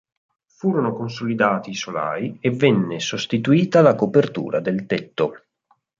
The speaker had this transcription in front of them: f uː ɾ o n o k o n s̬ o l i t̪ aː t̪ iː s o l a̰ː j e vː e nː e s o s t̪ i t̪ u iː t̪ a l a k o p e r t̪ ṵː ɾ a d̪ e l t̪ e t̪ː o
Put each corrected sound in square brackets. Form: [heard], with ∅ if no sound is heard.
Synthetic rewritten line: f uː ɾ o n o k o n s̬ o l i [d̪] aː t̪ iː s o l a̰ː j e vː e nː e s o s t̪ i t̪ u iː t̪ a l a k o p e r t̪ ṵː ɾ a d̪ e l t̪ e t̪ː o